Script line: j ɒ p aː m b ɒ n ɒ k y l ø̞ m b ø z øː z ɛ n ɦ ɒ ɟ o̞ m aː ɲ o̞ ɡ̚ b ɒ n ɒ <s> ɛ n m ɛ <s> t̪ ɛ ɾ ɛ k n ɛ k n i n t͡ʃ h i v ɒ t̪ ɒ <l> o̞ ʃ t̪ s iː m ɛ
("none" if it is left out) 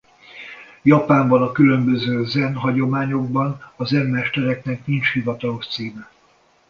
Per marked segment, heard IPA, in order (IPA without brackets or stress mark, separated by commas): z, ʃ, l